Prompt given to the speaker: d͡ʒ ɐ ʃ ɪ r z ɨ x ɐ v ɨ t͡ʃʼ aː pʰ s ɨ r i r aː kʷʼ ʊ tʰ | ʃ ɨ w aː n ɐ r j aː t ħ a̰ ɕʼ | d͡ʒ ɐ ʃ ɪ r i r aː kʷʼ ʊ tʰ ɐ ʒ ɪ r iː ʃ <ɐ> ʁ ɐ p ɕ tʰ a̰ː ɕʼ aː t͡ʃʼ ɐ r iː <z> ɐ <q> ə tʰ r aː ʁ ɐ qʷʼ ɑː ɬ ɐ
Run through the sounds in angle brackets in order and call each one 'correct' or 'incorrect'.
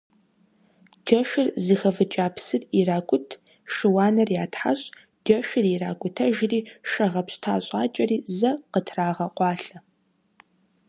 correct, correct, correct

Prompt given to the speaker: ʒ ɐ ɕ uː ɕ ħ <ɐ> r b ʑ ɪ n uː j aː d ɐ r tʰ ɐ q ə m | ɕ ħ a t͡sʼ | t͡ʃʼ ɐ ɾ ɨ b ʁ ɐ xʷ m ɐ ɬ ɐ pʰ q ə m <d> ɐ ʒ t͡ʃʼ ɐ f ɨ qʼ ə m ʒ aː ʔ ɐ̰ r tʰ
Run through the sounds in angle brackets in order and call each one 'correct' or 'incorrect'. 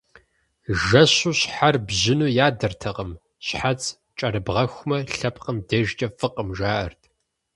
incorrect, correct

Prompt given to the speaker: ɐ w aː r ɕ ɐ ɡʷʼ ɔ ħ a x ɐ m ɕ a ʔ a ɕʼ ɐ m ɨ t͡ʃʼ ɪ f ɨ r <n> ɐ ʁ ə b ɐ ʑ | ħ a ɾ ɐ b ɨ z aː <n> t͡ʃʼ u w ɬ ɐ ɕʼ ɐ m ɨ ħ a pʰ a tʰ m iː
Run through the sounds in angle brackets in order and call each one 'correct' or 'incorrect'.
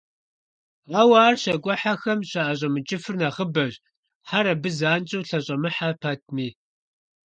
correct, correct

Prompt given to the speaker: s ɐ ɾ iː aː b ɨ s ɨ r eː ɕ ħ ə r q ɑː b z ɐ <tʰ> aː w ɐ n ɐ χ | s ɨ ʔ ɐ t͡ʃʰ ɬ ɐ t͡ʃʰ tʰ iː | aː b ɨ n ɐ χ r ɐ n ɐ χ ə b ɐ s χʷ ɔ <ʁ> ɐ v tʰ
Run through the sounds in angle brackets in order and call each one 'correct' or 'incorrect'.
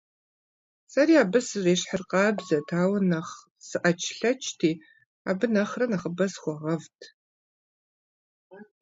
correct, correct

